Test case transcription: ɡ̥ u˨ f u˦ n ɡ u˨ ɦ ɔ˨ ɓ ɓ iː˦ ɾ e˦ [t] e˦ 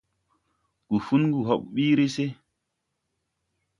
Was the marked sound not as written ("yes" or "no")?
yes